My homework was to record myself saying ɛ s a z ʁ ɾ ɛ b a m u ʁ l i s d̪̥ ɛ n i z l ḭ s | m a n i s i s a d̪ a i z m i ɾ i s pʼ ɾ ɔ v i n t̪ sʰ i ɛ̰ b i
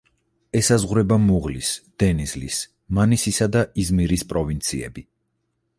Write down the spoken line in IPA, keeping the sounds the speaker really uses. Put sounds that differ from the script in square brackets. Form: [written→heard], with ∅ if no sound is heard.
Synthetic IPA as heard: ɛ s a z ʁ ɾ ɛ b a m u ʁ l i s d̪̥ ɛ n i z l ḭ s | m a n i s i s a d̪ a i z m i ɾ i s pʼ ɾ ɔ v i n t̪ sʰ i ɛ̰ b i